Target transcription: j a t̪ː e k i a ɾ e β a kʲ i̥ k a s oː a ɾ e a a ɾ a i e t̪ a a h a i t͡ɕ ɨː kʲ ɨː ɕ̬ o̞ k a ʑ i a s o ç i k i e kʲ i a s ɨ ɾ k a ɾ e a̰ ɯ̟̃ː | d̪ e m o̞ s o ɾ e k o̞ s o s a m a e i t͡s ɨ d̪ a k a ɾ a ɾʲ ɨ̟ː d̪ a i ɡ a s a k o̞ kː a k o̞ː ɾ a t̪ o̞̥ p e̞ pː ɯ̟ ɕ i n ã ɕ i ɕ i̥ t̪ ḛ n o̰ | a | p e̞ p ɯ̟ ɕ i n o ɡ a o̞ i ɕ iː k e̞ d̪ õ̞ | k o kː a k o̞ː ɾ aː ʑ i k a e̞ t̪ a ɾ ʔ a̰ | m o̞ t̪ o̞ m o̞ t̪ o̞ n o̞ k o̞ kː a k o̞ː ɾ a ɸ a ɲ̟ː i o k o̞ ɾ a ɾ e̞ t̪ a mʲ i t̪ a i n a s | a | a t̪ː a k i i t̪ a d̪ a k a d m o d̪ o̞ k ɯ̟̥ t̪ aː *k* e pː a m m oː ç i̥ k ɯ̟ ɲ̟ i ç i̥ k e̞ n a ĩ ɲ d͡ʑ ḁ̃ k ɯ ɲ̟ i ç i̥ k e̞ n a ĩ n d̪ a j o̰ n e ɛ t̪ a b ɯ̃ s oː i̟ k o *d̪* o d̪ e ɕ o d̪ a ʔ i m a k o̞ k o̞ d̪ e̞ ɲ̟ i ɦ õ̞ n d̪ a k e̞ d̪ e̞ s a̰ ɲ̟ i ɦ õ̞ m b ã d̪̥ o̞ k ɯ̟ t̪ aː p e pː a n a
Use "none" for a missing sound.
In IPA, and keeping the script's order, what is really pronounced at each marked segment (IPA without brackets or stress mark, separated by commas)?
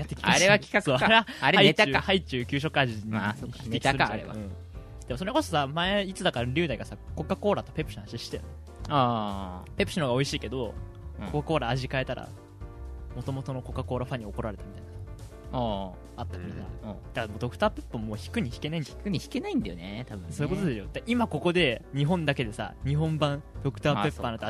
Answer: p, t̪